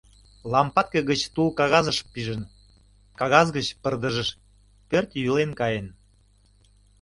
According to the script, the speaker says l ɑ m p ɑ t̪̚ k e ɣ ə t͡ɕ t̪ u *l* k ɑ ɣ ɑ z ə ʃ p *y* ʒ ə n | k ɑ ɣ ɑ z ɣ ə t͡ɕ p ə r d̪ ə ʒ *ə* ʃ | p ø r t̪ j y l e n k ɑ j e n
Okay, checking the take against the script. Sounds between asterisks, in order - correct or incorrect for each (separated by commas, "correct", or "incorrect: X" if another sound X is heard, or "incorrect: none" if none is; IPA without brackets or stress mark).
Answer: correct, incorrect: i, correct